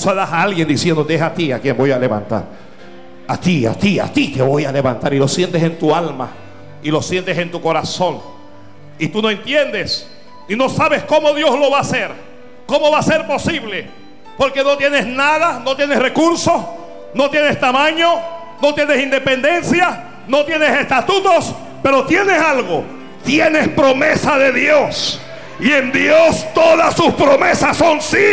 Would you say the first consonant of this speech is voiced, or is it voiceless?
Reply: voiceless